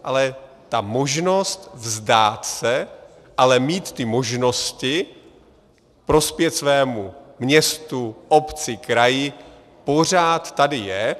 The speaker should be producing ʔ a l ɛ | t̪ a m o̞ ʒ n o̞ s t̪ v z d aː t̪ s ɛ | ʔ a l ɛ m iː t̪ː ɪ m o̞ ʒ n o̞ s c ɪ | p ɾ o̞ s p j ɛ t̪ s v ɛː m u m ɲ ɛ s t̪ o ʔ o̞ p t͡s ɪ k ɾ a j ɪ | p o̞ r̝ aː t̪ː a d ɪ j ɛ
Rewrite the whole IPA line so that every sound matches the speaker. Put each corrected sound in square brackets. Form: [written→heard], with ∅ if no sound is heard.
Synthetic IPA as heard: ʔ a l ɛ | t̪ a m o̞ ʒ n o̞ s t̪ v z d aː t̪ s ɛ | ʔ a l ɛ m iː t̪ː ɪ m o̞ ʒ n o̞ s c ɪ | p ɾ o̞ s p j ɛ t̪ s v ɛː m u m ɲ ɛ s t̪ [o→u] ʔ o̞ p t͡s ɪ k ɾ a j ɪ | p o̞ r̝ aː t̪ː a d ɪ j ɛ